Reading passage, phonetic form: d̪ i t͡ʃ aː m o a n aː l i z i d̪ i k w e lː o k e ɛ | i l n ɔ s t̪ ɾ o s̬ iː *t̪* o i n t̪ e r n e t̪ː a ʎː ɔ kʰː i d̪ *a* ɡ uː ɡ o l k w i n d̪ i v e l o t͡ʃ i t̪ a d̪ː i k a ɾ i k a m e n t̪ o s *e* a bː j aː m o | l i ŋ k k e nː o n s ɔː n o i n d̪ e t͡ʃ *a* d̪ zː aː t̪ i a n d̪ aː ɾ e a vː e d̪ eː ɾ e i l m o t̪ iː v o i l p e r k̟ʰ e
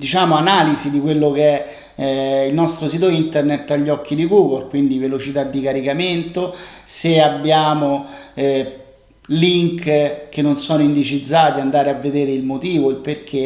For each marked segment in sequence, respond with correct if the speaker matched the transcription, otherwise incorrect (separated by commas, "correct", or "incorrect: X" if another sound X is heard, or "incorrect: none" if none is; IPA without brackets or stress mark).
correct, incorrect: i, correct, incorrect: i